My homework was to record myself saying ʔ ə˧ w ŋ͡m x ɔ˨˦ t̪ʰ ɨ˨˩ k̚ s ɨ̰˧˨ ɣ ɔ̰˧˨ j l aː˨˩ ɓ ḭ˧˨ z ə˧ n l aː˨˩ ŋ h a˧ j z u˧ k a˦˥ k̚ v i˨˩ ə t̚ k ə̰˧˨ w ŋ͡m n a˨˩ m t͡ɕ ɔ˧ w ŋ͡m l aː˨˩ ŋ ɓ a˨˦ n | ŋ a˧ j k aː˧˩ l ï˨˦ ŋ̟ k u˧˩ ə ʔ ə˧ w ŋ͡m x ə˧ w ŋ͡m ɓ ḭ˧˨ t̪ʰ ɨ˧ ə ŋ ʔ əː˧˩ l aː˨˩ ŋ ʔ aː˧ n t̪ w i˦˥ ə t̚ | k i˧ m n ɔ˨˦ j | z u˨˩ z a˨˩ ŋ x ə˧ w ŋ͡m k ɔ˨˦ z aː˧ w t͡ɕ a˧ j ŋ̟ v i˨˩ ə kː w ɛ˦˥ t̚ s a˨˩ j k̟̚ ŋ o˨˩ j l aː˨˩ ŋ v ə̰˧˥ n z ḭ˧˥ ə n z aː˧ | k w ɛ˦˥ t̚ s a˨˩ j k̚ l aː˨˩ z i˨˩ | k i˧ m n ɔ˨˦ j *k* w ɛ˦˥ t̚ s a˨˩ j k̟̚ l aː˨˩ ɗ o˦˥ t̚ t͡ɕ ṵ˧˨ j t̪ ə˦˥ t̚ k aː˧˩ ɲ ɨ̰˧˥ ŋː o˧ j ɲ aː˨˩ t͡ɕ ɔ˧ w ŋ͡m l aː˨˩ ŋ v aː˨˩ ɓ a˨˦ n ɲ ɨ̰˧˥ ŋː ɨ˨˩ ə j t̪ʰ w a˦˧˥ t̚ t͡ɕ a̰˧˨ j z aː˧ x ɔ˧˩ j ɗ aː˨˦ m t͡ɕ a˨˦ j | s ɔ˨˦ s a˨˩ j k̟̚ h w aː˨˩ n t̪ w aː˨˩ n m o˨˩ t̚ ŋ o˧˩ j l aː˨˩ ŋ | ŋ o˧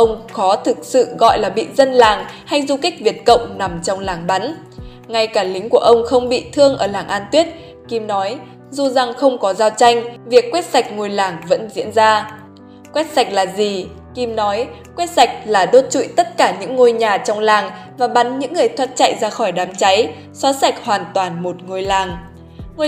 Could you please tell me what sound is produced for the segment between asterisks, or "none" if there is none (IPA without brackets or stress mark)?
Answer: k